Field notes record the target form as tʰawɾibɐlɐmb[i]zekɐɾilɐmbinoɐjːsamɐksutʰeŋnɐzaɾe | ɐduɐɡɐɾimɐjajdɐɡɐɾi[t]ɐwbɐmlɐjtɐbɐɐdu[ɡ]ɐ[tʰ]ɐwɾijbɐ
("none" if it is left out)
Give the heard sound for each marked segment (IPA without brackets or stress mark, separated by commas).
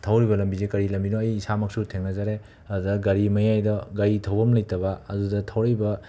i, tʰ, d, tʰ